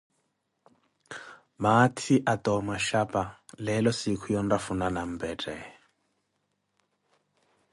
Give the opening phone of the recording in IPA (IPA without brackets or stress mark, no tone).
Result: m